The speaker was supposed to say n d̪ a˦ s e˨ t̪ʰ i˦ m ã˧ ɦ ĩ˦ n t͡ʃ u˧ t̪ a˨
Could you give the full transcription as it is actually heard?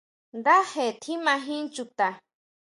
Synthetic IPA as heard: n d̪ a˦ h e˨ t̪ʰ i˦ m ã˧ ɦ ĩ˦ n t͡ʃ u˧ t̪ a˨